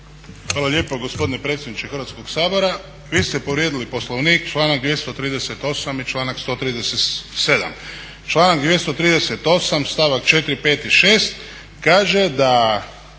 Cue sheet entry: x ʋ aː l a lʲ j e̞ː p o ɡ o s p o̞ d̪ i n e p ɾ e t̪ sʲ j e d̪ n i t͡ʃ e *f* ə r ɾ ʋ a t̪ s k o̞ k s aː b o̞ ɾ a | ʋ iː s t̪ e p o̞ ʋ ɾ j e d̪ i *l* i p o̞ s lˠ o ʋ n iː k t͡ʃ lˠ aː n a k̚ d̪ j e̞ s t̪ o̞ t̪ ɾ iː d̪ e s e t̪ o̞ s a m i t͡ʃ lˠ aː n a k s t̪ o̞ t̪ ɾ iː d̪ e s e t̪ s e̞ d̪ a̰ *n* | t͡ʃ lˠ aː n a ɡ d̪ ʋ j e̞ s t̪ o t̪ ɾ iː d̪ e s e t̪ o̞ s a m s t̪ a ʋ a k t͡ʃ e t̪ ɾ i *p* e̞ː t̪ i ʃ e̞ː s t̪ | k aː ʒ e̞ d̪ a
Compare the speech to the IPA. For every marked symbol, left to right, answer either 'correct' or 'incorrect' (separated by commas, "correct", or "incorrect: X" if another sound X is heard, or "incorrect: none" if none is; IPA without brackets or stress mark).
incorrect: x, correct, incorrect: m, correct